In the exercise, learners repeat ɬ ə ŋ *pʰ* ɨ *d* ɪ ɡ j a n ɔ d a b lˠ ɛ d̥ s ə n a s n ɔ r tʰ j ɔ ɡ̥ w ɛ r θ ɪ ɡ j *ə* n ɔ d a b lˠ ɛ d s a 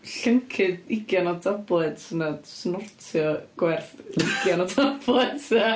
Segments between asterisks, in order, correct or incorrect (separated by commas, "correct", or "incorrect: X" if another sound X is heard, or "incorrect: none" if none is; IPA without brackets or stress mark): incorrect: kʰ, correct, incorrect: a